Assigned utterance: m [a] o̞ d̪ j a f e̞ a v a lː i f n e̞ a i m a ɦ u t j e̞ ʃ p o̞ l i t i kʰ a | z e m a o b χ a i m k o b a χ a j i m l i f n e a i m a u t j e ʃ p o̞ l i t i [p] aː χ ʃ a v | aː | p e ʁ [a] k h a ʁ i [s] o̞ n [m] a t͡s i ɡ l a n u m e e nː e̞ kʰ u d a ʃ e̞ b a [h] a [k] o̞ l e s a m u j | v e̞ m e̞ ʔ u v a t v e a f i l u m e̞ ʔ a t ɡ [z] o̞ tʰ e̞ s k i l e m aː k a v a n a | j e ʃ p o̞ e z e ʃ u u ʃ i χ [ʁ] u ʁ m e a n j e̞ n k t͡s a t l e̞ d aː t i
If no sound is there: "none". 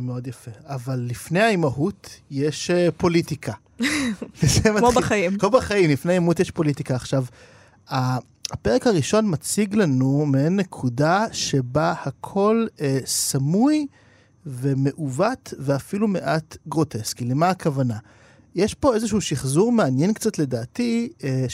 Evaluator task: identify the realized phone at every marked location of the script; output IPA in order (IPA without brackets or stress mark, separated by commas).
e, k, e, ʃ, m, h, kʰ, ʁ, z